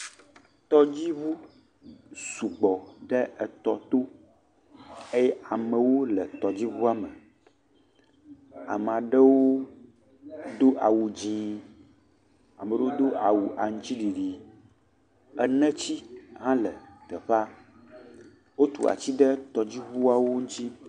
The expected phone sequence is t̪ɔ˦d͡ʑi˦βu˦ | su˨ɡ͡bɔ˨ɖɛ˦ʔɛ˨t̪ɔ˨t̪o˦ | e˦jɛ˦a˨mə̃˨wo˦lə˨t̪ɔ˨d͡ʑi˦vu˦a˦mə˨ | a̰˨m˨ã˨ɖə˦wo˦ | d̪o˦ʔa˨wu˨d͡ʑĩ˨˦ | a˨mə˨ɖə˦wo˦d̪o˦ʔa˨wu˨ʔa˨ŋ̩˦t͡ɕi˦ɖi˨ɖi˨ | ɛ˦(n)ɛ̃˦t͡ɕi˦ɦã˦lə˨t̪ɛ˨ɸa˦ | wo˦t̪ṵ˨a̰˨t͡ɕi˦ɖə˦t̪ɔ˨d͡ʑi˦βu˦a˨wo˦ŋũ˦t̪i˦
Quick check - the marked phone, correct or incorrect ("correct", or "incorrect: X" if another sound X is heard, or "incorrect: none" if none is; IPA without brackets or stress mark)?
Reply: correct